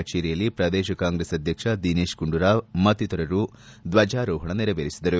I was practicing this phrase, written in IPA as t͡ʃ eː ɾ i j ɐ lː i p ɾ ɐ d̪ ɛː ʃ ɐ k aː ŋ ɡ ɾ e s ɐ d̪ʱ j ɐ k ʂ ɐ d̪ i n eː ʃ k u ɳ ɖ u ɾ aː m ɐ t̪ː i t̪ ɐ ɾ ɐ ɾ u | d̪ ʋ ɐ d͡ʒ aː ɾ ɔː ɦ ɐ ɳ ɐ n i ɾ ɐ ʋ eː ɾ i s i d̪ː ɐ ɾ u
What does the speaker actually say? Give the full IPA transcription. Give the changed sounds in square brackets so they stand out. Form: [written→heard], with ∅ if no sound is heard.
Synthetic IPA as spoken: t͡ʃ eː ɾ i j ɐ lː i p ɾ ɐ d̪ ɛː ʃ ɐ k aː ŋ ɡ ɾ e s ɐ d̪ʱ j ɐ k ʂ ɐ d̪ i n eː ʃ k u ɳ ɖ u ɾ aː m ɐ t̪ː i t̪ ɐ ɾ ɐ ɾ u | d̪ ʋ ɐ d͡ʒ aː ɾ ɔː ɦ ɐ ɳ ɐ n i ɾ ɐ ʋ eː ɾ i s i [d̪ː→d̪] ɐ ɾ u